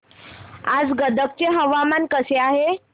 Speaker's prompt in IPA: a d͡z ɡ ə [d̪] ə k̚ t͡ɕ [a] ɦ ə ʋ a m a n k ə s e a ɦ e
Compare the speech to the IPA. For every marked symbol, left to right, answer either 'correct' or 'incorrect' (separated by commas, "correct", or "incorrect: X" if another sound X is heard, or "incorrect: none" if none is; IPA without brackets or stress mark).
correct, incorrect: e